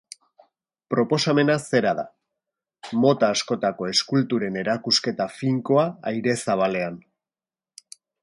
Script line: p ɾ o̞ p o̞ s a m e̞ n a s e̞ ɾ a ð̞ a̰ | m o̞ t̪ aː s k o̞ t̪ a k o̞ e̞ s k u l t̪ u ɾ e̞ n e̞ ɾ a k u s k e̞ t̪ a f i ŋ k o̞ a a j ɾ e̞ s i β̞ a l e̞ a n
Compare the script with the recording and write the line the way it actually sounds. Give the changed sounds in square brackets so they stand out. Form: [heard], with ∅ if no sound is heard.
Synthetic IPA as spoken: p ɾ o̞ p o̞ s a m e̞ n a s e̞ ɾ a ð̞ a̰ | m o̞ t̪ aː s k o̞ t̪ a k o̞ e̞ s k u l t̪ u ɾ e̞ n e̞ ɾ a k u s k e̞ t̪ a f i ŋ k o̞ a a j ɾ e̞ s [a] β̞ a l e̞ a n